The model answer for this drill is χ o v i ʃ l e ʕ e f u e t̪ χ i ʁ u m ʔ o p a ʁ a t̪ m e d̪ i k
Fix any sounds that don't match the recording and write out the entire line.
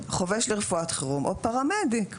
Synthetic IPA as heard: χ o v e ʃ l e ʁ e f u a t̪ χ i ʁ u m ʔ o p a ʁ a m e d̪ i k